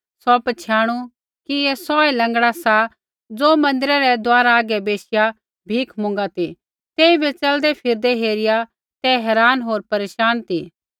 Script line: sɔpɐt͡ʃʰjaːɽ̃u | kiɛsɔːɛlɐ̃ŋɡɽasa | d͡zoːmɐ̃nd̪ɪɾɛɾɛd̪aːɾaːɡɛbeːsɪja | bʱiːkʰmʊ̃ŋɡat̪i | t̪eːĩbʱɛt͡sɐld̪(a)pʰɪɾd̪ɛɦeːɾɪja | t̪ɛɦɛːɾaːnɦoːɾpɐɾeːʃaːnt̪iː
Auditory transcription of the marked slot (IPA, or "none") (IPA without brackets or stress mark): ɛ